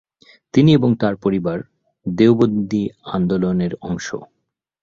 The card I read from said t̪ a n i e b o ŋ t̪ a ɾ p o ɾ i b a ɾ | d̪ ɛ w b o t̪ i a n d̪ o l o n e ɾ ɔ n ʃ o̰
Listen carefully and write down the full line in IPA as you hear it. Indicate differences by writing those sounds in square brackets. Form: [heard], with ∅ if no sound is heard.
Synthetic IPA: t̪ [i] n i e b o ŋ t̪ a ɾ p o ɾ i b a ɾ | d̪ [e] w b o [d̪] i a n d̪ o l o n e ɾ ɔ [ŋ] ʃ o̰